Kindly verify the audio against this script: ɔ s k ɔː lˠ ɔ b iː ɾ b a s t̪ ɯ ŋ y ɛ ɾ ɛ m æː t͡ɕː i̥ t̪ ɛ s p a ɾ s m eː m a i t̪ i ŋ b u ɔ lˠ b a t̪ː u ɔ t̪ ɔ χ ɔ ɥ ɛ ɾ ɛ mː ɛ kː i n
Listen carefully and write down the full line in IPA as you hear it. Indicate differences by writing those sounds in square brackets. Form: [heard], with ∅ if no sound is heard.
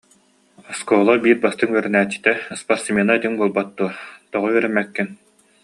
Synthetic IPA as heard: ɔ s k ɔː lˠ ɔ b iː ɾ b a s t̪ ɯ ŋ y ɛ ɾ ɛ [n] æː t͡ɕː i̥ t̪ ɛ s p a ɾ s m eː [n] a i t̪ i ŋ b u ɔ lˠ b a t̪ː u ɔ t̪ ɔ [ʁ] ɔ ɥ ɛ ɾ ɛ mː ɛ kː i n